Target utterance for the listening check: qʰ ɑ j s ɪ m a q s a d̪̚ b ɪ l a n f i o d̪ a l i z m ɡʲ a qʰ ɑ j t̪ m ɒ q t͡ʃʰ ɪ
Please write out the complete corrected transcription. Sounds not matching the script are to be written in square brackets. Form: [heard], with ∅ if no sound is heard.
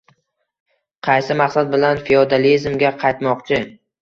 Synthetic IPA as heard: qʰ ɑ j s ɪ m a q s a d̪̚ b ɪ l a n f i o d̪ a l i z m ɡʲ a qʰ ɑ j t̪ m ɒ q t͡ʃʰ ɪ